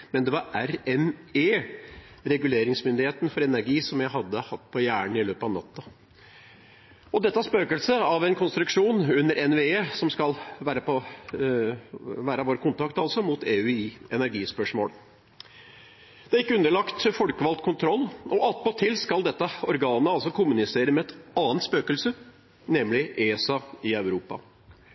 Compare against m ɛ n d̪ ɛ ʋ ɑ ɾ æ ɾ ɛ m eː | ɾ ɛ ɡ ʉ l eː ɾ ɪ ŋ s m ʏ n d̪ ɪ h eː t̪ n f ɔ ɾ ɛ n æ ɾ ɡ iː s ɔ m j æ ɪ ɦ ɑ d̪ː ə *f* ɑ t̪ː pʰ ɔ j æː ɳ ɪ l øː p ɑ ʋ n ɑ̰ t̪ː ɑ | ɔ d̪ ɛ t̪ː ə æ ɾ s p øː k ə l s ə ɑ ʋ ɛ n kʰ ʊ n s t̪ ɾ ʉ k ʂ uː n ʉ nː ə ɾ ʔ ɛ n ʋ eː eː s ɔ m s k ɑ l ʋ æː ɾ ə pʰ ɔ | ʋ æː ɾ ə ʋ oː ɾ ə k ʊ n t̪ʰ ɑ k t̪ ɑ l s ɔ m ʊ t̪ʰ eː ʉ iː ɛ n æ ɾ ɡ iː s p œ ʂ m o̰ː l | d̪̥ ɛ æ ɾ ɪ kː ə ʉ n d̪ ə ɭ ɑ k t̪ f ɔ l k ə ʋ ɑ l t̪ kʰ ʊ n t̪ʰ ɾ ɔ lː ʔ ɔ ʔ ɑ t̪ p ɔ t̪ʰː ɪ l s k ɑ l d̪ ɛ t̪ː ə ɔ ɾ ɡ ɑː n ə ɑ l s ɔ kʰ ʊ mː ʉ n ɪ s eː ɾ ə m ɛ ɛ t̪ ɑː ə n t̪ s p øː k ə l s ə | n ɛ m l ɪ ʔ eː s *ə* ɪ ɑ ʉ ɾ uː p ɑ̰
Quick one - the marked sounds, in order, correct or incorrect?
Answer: incorrect, incorrect

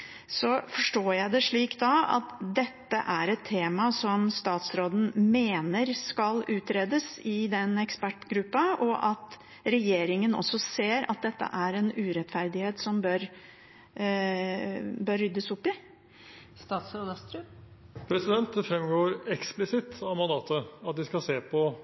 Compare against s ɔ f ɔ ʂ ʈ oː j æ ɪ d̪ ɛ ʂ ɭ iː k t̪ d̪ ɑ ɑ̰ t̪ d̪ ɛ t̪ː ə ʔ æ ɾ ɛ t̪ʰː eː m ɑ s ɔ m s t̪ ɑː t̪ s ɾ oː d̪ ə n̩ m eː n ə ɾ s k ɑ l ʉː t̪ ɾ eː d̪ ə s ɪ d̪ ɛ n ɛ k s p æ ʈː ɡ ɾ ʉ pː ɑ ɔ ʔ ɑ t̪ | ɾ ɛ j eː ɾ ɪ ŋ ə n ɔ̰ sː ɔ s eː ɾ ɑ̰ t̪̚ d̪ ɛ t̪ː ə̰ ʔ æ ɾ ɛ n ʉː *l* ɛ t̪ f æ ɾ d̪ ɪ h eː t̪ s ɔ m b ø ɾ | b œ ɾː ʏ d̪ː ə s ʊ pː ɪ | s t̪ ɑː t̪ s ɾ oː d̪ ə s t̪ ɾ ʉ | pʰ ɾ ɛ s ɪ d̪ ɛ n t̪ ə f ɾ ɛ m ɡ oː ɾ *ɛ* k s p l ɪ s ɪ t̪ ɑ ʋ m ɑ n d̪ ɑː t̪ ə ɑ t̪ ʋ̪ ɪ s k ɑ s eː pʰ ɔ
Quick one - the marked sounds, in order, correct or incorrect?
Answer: incorrect, correct

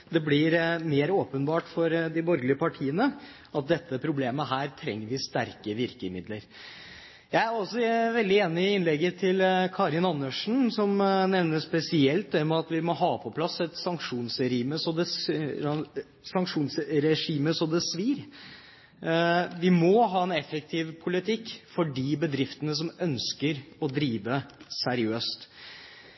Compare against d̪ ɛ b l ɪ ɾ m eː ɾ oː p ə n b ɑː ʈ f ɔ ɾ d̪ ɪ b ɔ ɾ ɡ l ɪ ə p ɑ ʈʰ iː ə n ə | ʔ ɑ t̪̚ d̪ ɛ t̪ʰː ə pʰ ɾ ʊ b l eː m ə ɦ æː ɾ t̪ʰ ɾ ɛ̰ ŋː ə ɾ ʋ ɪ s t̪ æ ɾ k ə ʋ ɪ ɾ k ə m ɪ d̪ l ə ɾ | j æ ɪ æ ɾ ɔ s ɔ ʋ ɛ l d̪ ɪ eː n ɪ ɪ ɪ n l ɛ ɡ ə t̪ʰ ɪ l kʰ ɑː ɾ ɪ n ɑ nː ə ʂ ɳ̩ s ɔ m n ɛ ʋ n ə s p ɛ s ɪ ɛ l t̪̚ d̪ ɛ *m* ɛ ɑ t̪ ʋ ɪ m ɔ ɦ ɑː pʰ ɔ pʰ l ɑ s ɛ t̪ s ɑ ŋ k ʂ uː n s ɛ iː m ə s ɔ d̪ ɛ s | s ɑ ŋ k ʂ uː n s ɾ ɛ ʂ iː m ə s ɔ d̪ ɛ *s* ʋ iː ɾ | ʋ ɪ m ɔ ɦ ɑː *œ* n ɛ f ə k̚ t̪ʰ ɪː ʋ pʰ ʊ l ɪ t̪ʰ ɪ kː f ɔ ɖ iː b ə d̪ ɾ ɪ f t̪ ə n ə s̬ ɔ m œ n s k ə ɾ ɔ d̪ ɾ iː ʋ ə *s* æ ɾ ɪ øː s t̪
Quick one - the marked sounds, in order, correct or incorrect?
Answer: correct, correct, incorrect, correct

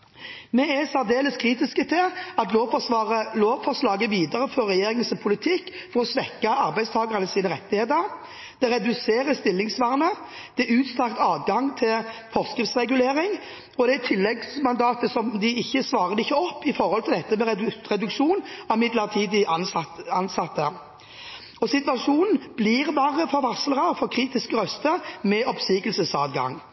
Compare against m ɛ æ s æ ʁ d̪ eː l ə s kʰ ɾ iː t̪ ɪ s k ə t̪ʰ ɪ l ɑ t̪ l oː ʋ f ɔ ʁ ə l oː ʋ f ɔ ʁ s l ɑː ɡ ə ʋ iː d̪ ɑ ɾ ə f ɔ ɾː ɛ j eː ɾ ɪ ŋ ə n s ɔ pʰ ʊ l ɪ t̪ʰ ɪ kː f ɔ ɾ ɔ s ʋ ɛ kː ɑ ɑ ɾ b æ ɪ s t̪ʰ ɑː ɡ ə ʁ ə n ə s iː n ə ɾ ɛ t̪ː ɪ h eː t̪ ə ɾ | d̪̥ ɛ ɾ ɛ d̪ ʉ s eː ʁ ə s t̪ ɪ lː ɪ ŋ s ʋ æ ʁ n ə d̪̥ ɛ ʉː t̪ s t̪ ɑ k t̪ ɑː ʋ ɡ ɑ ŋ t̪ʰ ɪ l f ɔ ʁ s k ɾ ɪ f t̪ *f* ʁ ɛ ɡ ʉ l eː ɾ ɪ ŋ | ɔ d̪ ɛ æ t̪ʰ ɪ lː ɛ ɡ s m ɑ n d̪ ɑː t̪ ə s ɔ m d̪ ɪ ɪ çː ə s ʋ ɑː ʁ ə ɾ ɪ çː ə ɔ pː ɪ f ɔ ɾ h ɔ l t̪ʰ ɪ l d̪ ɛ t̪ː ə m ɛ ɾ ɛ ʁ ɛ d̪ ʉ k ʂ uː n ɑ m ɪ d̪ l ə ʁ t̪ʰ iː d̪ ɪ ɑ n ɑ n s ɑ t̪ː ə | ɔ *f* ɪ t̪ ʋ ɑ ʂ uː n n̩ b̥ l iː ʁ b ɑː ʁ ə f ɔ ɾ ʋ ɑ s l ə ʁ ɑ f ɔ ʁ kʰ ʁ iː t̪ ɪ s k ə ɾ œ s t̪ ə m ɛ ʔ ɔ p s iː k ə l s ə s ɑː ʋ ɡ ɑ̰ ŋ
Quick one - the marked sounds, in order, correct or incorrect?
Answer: incorrect, incorrect

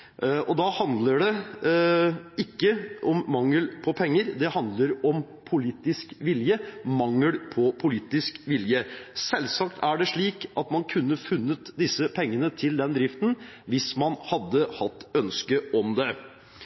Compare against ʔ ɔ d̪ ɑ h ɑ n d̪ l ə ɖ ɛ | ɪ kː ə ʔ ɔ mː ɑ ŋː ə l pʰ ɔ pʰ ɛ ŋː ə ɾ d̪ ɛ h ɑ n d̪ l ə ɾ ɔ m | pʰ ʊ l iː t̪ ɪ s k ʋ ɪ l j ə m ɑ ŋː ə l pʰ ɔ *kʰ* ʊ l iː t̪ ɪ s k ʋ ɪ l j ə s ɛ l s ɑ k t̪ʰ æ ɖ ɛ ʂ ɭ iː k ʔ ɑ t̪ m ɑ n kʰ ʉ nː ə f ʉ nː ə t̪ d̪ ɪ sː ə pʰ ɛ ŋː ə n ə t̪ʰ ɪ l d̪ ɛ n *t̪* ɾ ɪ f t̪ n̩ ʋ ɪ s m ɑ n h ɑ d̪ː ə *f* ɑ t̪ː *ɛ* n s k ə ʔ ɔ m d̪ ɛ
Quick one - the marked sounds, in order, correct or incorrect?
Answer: incorrect, incorrect, incorrect, incorrect

